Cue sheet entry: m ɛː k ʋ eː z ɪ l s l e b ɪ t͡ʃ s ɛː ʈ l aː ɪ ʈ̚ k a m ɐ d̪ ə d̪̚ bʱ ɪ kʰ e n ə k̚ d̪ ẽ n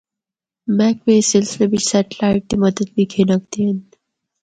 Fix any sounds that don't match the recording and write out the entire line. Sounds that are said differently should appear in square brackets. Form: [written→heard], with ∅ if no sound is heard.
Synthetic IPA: m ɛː k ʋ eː [z→s] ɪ l s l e b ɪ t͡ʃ s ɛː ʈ l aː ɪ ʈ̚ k [a→i] m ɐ d̪ ə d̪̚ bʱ [ɪ→i] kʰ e n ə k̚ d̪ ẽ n